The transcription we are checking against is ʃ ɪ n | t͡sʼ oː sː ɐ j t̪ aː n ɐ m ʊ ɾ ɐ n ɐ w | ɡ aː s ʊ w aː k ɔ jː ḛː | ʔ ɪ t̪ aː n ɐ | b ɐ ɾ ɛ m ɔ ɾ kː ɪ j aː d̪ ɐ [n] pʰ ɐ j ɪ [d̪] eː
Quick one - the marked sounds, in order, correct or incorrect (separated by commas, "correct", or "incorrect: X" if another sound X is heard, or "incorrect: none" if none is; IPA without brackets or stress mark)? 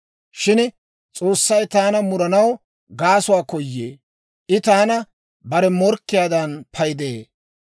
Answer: correct, correct